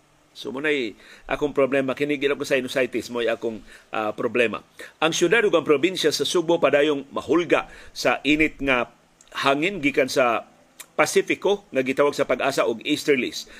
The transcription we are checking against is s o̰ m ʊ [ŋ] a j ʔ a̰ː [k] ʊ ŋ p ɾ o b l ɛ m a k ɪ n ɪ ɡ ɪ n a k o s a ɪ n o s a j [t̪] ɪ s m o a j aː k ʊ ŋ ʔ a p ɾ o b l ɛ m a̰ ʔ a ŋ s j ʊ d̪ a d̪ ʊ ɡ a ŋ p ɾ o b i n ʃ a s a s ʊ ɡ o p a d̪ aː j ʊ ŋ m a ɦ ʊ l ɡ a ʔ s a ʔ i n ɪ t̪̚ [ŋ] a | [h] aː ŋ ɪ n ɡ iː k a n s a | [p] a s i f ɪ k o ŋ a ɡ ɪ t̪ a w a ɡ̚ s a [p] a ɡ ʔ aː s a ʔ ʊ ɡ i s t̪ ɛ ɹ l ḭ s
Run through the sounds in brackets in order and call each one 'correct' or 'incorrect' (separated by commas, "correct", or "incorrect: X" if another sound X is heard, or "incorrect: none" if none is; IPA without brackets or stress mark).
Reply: incorrect: n, correct, correct, correct, correct, correct, correct